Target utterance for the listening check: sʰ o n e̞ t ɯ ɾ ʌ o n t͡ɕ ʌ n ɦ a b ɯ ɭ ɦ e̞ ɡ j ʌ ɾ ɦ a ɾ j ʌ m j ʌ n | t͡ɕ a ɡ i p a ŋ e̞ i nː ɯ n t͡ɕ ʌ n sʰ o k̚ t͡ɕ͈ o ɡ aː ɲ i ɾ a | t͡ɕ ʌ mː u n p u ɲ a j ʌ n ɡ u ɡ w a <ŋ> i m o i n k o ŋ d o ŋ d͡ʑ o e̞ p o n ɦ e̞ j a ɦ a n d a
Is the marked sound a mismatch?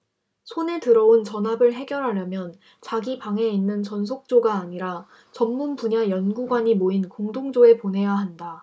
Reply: yes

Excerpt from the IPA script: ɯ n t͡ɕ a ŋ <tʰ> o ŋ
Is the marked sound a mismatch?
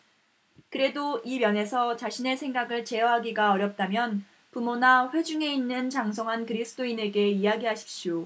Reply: yes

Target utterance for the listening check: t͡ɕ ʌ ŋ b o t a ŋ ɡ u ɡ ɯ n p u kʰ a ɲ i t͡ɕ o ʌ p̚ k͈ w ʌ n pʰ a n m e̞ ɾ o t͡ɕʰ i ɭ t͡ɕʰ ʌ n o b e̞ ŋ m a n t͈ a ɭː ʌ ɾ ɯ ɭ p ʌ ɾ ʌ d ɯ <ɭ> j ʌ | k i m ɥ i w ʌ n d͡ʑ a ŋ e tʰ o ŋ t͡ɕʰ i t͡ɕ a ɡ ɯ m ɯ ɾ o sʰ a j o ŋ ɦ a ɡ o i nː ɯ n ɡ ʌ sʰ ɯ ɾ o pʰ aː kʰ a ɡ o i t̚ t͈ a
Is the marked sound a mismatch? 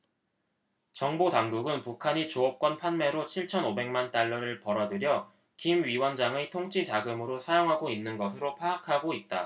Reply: yes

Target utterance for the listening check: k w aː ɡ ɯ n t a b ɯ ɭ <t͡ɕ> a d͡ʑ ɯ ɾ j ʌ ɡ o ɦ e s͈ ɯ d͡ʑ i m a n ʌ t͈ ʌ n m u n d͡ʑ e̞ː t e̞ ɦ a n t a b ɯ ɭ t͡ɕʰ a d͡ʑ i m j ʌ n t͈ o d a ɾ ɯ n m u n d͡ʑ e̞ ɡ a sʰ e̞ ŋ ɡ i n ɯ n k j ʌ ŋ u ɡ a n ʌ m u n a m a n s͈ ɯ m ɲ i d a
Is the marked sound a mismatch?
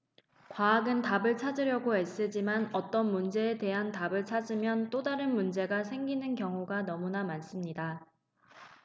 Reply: yes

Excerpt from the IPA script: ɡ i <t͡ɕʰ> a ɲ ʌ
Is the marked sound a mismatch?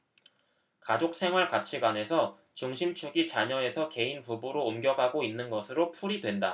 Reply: yes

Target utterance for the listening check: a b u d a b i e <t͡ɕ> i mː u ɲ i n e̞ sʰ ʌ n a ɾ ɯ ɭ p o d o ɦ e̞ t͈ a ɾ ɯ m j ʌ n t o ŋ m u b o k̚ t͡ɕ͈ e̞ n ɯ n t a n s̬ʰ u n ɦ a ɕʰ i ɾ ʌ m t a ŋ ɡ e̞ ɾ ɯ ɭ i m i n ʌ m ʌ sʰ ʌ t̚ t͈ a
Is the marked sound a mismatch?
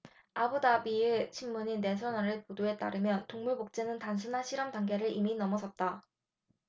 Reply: yes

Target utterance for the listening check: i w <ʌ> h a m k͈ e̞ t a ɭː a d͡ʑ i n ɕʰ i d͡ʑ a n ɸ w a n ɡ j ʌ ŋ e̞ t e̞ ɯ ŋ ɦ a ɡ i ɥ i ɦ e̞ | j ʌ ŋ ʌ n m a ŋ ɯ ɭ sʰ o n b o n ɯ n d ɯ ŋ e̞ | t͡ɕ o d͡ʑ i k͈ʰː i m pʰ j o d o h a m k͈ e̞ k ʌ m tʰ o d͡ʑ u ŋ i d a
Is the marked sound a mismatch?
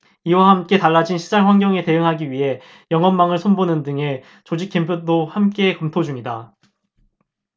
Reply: yes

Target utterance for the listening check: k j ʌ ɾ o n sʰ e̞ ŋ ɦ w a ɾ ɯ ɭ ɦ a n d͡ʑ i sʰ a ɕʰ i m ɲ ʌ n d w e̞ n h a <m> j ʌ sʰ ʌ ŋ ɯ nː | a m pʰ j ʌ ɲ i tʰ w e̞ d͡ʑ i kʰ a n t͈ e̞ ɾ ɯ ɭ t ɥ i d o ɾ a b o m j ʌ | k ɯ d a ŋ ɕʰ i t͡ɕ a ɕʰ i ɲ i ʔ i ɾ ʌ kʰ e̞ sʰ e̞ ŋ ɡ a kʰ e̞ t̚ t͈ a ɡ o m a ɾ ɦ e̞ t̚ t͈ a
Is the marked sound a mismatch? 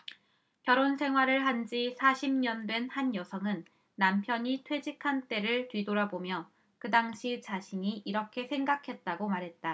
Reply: yes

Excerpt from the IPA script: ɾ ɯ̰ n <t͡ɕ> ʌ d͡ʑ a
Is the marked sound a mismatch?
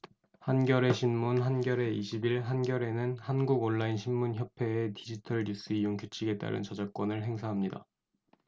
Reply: no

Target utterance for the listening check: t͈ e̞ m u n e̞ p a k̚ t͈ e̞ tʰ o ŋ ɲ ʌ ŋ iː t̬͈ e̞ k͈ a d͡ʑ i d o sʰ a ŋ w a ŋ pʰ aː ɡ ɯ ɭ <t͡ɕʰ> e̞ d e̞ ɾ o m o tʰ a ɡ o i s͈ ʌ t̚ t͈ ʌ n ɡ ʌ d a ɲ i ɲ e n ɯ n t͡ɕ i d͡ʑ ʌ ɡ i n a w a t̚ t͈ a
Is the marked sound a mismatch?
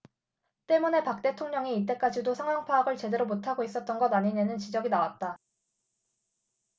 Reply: yes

